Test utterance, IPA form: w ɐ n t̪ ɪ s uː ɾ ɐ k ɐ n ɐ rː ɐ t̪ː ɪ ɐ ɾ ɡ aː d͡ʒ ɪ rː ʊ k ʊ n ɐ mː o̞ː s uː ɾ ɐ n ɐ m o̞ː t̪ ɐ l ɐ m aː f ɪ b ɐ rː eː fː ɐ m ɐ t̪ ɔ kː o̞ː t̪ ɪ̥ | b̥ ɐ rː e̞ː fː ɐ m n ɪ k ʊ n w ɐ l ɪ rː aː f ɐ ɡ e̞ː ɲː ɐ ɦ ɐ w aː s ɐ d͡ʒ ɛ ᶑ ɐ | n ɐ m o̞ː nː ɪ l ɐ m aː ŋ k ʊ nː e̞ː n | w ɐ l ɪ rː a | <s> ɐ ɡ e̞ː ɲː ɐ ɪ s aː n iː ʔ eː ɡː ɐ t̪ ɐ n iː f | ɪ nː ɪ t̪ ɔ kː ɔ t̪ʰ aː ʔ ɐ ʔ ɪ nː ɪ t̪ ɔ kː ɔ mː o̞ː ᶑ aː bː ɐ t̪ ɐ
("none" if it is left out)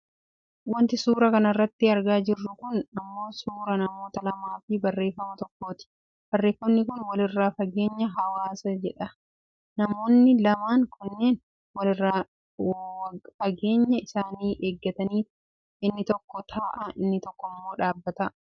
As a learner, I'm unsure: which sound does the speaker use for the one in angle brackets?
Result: f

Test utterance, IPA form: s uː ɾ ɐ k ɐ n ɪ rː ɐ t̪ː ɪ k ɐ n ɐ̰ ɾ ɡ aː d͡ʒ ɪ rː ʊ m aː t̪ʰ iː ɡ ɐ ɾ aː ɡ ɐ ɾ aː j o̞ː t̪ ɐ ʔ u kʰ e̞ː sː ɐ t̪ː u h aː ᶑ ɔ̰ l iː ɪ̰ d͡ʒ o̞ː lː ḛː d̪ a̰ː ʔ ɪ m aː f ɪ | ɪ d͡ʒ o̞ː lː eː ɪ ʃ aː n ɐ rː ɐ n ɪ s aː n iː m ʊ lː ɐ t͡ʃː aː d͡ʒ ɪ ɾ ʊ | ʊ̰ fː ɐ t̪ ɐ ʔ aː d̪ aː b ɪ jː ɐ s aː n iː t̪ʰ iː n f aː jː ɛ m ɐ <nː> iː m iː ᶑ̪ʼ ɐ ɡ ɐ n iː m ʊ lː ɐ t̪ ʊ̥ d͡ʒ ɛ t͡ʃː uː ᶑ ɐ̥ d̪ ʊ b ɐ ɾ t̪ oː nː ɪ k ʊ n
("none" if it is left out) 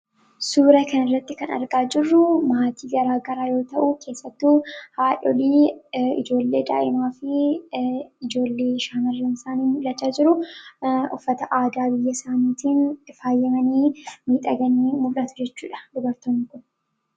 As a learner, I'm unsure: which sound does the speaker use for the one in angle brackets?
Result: n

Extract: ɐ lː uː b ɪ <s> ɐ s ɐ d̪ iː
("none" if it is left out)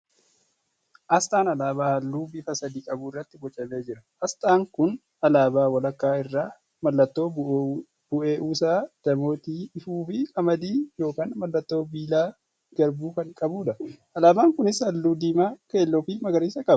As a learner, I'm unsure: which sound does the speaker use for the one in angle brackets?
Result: f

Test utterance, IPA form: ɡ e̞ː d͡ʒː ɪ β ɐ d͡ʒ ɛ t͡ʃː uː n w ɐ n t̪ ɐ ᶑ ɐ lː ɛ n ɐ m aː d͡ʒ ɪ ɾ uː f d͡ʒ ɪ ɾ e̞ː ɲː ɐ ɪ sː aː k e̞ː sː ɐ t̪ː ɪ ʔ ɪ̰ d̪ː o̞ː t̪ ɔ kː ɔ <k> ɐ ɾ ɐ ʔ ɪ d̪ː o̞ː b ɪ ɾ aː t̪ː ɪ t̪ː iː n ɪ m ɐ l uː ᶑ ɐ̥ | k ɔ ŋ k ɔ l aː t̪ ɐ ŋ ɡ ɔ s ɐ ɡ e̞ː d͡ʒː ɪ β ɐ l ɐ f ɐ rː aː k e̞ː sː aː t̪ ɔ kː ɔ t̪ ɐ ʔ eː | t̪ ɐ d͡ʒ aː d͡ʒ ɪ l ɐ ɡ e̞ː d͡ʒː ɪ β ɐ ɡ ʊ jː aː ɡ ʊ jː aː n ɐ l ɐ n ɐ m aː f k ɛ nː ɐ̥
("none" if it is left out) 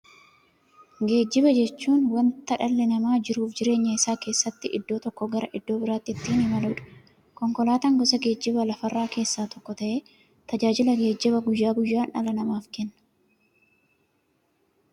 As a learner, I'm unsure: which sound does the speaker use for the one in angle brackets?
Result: ɡ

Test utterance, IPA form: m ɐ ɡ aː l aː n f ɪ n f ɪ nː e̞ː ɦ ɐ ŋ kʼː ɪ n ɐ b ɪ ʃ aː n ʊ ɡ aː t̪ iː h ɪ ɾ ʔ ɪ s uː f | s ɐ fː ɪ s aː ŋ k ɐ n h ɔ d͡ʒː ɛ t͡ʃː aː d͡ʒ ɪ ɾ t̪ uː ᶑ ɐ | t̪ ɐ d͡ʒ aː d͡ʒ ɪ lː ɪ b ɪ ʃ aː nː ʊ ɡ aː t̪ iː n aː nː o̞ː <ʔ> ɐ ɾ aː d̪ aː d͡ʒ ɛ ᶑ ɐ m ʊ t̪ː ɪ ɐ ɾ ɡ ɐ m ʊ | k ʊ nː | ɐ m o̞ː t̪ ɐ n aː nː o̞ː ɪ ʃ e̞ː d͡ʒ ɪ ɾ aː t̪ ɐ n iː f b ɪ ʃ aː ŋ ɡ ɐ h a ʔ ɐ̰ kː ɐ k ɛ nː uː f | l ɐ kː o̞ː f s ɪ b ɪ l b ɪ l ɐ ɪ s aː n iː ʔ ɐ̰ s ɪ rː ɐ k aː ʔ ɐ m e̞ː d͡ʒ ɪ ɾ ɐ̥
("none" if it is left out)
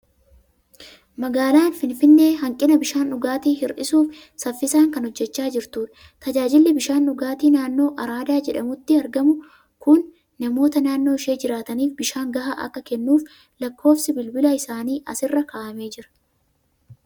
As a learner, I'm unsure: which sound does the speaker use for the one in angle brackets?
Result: ʔ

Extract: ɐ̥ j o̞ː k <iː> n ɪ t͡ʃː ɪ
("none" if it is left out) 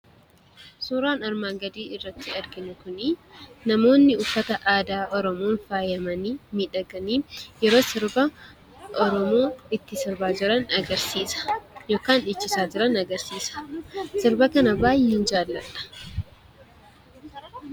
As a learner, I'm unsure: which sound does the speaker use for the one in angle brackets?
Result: aː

